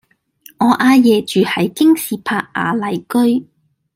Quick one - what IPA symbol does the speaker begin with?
ŋ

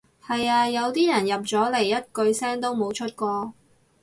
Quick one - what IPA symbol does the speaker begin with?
h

